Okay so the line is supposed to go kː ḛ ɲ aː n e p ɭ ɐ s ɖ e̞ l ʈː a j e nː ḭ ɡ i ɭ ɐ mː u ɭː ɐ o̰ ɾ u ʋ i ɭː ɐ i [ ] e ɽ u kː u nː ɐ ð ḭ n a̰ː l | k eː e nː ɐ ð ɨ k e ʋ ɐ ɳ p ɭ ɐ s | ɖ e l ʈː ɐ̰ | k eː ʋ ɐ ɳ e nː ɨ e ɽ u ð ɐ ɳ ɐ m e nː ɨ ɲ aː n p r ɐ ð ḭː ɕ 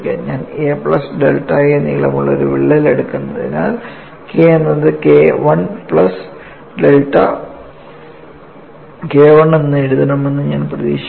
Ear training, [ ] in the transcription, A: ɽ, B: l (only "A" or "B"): B